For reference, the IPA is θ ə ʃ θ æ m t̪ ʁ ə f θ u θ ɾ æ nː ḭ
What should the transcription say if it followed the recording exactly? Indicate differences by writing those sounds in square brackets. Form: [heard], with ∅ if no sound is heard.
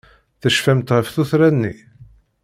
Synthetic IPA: θ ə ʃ [f] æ m t̪ ʁ ə f θ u θ ɾ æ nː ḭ